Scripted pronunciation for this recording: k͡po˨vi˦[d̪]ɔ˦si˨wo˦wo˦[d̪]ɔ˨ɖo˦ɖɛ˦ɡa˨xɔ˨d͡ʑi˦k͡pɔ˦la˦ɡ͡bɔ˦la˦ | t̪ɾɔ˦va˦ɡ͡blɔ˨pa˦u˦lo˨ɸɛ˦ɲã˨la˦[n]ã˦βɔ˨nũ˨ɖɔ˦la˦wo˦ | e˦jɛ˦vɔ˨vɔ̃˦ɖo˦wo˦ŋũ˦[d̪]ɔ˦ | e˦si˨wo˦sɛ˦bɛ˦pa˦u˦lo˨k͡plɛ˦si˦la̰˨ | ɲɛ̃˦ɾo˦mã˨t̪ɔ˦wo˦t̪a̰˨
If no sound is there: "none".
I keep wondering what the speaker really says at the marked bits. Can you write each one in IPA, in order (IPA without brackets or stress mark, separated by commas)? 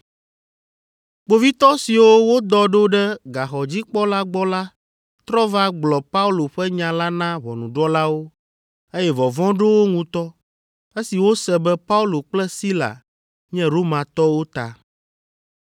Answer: t̪, d̪, n, t̪